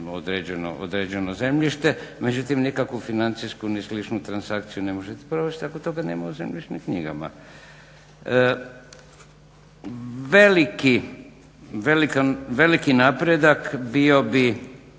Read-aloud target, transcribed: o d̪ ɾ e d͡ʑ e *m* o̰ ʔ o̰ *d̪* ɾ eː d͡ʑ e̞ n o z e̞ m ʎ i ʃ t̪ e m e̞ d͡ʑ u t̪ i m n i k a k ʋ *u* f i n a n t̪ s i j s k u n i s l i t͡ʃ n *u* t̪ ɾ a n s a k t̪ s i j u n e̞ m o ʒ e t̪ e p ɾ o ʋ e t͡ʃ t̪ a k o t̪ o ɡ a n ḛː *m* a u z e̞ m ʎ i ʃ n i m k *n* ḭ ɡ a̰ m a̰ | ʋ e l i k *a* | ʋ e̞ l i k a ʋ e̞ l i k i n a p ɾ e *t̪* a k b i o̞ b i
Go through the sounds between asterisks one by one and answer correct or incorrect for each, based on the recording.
incorrect, correct, correct, correct, correct, incorrect, incorrect, incorrect

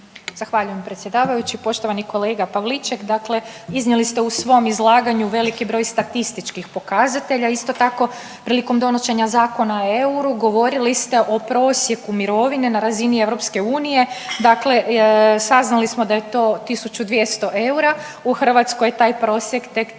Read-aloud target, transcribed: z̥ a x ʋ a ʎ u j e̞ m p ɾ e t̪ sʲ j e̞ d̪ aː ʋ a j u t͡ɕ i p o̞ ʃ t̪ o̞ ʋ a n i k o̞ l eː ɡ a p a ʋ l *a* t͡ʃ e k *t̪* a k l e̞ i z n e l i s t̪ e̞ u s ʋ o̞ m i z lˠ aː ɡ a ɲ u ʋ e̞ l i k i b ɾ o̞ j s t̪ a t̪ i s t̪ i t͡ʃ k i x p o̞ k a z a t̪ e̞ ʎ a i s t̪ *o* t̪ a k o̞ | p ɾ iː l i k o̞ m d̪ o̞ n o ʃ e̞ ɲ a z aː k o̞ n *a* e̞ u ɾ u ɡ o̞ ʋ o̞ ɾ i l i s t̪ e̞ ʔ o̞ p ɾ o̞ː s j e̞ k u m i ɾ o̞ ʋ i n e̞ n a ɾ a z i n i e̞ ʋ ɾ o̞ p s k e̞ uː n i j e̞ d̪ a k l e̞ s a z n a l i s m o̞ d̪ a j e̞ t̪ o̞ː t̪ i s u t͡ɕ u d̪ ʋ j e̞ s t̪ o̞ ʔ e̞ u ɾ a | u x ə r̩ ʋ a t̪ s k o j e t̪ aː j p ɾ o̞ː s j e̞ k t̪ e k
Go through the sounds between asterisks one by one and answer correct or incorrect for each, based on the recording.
incorrect, incorrect, correct, correct

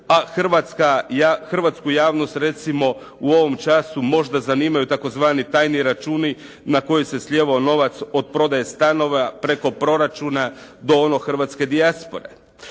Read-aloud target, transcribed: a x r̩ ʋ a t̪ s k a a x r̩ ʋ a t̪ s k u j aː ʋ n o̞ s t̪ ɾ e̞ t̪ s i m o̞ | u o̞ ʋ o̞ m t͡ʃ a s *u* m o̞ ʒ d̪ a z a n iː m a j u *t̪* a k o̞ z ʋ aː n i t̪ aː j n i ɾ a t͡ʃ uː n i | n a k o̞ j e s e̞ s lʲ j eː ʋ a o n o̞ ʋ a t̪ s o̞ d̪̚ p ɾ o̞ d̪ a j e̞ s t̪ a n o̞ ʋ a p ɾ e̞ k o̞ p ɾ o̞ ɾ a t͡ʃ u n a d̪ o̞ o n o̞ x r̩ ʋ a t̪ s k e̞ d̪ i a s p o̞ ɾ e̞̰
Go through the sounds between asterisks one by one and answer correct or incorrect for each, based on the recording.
correct, correct

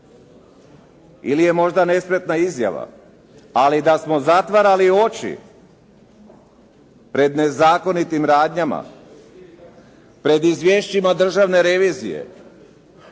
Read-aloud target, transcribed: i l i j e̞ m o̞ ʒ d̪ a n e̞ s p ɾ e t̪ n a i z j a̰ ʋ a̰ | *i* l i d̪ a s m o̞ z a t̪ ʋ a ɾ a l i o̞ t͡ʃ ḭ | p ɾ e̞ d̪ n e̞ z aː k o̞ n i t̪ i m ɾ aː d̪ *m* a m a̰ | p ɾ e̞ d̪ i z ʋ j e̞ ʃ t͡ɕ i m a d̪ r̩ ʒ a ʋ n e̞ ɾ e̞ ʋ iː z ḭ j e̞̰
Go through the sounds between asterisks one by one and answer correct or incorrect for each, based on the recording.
incorrect, incorrect

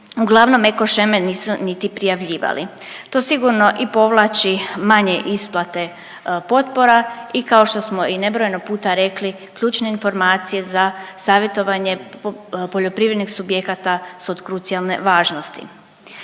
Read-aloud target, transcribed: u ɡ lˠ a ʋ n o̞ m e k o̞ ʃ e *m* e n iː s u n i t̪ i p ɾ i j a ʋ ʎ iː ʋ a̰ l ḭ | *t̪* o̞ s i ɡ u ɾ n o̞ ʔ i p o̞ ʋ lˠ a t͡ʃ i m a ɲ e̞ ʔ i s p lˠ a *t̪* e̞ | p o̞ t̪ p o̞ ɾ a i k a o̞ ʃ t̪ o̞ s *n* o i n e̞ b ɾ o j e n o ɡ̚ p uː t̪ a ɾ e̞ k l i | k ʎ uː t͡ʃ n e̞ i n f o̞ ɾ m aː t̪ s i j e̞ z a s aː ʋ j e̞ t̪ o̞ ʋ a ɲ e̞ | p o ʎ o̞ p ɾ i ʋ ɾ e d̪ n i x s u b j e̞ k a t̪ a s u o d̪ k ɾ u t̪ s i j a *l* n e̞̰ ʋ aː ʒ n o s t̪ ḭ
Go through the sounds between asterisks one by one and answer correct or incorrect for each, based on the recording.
correct, correct, correct, incorrect, correct

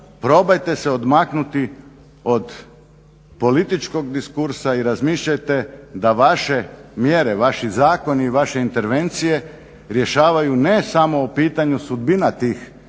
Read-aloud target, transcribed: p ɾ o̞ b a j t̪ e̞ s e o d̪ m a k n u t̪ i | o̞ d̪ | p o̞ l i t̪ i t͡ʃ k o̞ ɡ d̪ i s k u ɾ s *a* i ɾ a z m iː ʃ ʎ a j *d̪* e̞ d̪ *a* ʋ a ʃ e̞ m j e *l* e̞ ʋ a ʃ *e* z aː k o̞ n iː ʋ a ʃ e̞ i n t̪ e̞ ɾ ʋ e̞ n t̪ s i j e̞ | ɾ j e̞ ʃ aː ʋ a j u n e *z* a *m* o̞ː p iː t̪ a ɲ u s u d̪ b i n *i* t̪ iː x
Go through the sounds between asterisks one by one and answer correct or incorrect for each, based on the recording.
correct, incorrect, correct, incorrect, incorrect, incorrect, correct, incorrect

